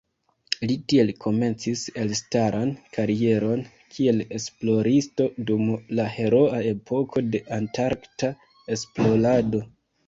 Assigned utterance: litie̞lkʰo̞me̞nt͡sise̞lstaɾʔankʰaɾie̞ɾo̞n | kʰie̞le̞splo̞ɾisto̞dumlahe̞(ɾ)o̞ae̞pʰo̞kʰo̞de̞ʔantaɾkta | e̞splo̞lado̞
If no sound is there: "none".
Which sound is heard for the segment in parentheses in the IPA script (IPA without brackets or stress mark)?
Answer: ɾ